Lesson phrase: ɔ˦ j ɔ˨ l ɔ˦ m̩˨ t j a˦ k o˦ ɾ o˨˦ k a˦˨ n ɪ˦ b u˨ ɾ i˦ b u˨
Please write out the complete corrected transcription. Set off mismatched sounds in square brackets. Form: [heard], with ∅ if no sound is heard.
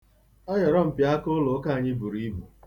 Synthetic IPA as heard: ɔ˦ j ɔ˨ [ɾ] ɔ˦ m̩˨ [p] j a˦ k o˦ [l] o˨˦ k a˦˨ [ɲ] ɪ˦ b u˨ ɾ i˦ b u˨